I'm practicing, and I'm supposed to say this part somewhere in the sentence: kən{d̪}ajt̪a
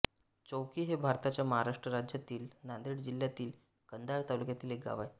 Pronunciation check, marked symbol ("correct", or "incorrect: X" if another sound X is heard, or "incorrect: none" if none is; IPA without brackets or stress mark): correct